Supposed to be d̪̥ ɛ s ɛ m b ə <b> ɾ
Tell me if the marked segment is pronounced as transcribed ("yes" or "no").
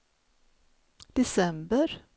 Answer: no